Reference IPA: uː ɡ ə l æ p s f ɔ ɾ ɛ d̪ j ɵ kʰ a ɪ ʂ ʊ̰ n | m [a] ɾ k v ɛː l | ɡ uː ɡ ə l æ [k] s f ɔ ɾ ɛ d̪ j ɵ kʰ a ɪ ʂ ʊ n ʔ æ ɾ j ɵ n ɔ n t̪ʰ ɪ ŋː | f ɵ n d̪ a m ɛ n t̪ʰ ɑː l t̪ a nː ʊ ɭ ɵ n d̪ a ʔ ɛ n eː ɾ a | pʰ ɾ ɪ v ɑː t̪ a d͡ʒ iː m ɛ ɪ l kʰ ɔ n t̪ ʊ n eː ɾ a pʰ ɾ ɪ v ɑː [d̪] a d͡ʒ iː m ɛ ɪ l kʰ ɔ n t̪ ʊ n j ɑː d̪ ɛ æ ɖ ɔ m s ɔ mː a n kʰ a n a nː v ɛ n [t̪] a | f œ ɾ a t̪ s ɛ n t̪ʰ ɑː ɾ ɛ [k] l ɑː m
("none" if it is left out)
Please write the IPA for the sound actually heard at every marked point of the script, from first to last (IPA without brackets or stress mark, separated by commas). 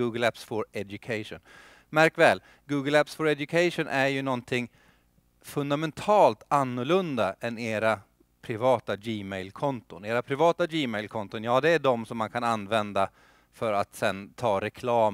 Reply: æ, p, t̪, d̪, kʰ